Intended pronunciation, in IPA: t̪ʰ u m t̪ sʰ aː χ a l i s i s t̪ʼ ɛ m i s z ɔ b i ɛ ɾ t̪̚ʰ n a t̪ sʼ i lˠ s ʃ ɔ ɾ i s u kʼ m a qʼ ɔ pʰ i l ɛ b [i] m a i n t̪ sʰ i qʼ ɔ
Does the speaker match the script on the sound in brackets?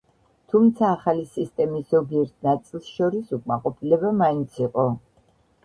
no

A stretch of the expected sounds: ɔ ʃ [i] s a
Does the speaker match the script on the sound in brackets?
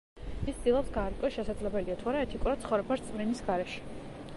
no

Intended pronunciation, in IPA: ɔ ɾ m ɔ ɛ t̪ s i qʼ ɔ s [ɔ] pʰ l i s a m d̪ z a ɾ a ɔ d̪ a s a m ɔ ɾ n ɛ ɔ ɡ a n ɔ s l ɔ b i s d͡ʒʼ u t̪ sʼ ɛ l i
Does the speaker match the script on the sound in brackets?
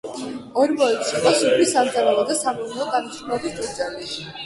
no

